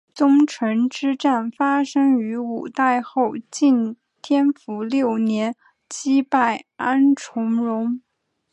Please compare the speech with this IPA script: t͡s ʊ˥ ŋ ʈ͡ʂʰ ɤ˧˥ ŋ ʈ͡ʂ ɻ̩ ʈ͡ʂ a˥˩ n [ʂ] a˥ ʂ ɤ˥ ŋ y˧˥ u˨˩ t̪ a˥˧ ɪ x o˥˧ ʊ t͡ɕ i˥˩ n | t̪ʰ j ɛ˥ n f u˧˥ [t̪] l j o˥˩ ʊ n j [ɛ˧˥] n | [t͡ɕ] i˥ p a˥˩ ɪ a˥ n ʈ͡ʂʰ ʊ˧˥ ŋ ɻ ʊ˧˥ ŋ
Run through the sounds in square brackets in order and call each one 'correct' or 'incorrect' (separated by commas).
incorrect, incorrect, correct, correct